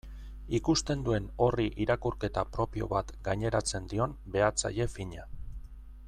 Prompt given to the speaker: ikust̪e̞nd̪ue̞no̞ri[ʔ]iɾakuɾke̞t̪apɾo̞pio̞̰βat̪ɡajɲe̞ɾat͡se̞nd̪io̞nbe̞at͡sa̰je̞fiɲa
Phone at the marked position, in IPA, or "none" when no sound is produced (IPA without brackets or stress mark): ʔ